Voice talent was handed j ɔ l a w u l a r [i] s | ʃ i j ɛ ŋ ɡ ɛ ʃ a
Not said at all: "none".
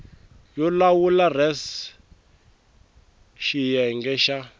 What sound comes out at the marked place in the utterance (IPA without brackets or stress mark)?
ɛ